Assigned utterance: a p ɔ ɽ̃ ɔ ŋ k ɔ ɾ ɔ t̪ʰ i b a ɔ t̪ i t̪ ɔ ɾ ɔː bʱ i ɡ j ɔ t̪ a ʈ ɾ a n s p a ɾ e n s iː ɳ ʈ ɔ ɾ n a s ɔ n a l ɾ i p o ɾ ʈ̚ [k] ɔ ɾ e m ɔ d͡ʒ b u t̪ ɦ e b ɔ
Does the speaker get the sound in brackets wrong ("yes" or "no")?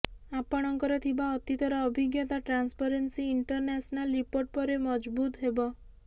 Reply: yes